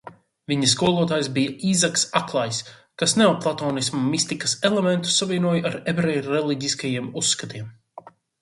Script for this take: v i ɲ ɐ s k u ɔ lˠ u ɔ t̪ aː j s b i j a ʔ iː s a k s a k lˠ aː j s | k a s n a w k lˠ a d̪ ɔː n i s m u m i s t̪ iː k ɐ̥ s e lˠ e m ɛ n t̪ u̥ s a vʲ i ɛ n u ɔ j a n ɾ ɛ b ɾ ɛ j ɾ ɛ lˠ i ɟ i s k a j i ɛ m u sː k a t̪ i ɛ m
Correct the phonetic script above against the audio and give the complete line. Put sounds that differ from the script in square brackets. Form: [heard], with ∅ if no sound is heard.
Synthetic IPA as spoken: v i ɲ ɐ s k u ɔ lˠ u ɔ t̪ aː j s b i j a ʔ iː [z] a k s a k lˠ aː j s | k a s n a w [p] lˠ a [t̪] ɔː n i s m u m i s t̪ [i] k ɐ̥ s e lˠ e m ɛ n t̪ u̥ s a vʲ i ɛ n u ɔ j a [∅] ɾ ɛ b ɾ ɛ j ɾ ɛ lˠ i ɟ i s k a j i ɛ m u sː k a t̪ i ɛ m